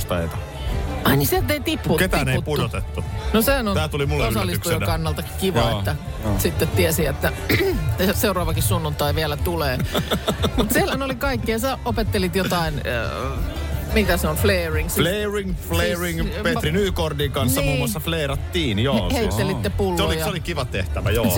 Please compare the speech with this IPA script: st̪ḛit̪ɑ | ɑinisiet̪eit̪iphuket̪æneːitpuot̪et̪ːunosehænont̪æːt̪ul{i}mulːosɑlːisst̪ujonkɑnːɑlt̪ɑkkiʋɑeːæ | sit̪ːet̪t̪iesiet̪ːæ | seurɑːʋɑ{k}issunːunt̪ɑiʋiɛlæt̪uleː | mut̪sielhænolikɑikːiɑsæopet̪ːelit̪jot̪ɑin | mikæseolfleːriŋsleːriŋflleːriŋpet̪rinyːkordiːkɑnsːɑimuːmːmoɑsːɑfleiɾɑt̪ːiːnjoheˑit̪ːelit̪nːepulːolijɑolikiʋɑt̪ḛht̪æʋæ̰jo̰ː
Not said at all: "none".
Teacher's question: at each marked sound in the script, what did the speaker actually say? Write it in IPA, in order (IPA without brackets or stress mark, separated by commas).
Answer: i, k